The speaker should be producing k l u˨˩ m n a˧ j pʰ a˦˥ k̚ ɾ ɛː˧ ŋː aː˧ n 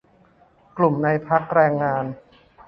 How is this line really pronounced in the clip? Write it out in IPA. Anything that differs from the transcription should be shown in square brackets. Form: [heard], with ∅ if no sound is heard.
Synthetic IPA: k l u˨˩ m n a˧ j pʰ a˦˥ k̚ ɾ ɛː˧ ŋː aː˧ n